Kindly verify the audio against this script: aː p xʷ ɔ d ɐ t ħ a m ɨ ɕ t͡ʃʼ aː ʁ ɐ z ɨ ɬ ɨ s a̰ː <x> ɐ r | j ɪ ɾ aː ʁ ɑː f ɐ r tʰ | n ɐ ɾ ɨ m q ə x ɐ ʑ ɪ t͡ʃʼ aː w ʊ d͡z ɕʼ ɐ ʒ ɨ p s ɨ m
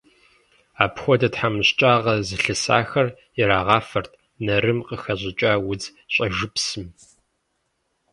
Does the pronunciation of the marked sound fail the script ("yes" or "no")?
no